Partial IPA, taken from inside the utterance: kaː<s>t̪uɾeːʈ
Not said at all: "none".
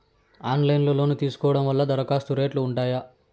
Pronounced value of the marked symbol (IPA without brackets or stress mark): s